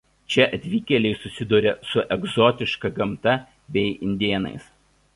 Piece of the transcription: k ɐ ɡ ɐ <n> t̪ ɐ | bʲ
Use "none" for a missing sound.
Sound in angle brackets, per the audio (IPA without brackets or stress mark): m